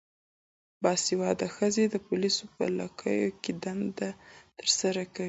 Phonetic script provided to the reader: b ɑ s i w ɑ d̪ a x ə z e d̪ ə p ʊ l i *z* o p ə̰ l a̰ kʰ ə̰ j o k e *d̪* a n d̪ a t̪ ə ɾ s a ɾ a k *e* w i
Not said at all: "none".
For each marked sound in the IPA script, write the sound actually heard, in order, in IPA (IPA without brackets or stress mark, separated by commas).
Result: s, d̪, a